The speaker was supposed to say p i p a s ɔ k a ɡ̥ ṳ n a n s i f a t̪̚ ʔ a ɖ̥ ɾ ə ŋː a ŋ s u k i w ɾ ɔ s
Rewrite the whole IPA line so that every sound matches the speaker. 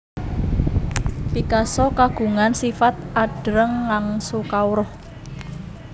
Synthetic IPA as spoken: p i k a s ɔ k a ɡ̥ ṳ ŋ a n s i f a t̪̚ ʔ a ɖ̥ ɾ ə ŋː a ŋ s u k a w ɾ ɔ h